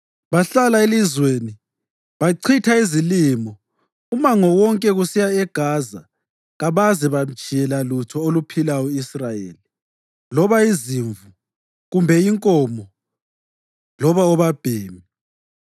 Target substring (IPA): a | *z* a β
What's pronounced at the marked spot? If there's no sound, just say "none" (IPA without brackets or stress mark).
ɣ